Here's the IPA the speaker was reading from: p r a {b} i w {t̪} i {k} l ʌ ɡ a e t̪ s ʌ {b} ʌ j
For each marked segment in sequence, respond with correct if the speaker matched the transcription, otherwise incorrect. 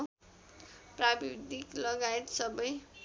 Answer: correct, incorrect: d̪, correct, correct

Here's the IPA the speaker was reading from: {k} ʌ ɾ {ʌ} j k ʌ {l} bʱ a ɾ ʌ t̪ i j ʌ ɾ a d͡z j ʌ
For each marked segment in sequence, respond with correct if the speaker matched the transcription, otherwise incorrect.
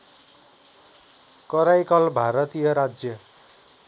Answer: correct, incorrect: a, correct

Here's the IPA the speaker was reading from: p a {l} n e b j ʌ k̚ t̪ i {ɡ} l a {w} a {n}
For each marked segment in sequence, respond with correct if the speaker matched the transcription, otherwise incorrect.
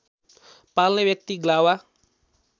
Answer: correct, correct, correct, incorrect: none

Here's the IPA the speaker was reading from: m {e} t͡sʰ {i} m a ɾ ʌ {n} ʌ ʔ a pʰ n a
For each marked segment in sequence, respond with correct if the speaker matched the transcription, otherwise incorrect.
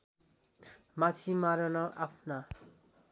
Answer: incorrect: a, correct, correct

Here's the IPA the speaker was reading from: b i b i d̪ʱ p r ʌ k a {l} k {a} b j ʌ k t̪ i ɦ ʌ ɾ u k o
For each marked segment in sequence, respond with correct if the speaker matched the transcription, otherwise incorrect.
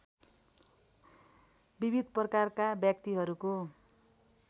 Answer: incorrect: r, correct

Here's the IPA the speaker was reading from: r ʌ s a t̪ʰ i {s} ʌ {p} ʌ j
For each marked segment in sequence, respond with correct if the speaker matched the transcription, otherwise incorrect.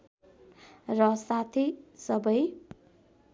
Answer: correct, incorrect: b

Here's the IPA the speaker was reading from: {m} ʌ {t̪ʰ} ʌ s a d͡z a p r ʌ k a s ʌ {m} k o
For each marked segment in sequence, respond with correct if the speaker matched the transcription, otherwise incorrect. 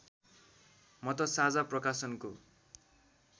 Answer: correct, incorrect: t̪, incorrect: n

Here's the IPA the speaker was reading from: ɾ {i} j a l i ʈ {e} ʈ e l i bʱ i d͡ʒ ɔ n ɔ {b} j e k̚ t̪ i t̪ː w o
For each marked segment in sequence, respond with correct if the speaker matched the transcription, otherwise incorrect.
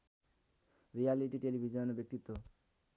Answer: correct, incorrect: i, correct

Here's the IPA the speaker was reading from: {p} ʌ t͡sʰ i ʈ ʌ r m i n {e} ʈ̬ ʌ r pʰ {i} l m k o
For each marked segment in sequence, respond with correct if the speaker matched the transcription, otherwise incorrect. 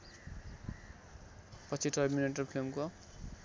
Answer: correct, correct, correct

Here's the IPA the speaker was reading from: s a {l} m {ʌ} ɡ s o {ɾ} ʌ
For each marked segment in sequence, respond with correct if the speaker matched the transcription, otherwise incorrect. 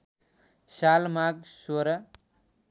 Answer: correct, incorrect: a, correct

